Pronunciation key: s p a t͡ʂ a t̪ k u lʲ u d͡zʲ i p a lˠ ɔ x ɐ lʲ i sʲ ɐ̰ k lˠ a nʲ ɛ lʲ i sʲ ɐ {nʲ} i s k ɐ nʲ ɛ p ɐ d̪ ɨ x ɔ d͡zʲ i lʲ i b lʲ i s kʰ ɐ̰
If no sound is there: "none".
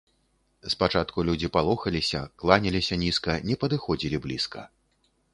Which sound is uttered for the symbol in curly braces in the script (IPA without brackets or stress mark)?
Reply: nʲ